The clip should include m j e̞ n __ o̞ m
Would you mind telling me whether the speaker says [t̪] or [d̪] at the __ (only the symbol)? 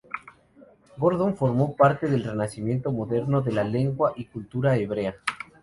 t̪